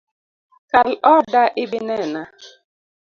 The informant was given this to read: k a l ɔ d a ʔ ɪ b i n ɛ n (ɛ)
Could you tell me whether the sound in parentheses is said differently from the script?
yes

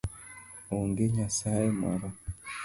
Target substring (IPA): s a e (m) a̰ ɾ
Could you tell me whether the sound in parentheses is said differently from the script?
no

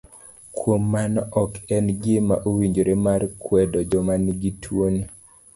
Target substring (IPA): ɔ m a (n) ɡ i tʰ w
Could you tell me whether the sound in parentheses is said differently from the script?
no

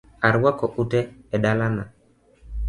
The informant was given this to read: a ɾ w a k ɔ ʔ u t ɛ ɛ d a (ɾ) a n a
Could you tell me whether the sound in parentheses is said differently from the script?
yes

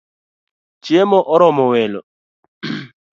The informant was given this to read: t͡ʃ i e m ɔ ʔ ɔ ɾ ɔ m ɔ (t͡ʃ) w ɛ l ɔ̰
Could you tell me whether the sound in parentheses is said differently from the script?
yes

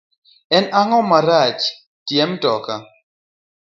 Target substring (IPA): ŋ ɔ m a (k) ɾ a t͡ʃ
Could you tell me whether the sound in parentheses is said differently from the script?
yes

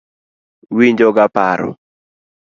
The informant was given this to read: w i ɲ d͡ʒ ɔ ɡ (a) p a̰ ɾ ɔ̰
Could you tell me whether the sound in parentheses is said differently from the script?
no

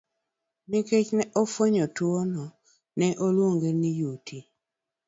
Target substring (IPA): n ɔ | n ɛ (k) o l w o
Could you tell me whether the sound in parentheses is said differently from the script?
yes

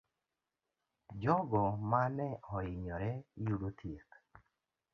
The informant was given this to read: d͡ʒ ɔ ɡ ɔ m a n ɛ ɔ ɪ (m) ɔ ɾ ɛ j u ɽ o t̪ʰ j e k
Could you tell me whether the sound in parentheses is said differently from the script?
yes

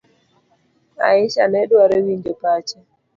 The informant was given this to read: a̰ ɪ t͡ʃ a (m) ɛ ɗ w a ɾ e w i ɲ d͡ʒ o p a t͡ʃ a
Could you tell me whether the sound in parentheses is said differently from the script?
yes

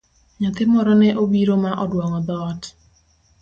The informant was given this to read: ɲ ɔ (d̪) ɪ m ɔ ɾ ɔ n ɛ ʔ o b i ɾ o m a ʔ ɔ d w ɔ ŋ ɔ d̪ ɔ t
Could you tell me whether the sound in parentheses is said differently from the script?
yes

